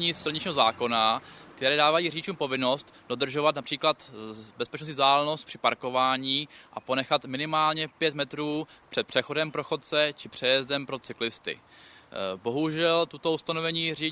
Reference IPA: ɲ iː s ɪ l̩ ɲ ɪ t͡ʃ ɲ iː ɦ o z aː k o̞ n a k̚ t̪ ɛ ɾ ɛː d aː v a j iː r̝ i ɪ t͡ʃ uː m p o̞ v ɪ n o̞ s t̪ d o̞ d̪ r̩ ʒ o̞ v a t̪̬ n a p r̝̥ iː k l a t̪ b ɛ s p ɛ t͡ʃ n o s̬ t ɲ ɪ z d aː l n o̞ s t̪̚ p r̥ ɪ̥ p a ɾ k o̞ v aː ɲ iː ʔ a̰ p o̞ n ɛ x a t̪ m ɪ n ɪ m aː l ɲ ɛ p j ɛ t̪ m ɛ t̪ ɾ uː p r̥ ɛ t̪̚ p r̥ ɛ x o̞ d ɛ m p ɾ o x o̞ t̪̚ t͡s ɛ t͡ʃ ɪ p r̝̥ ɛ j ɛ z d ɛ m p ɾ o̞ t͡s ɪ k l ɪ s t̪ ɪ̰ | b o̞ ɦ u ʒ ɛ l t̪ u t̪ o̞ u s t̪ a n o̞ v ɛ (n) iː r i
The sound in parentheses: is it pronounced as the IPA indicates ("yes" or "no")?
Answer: no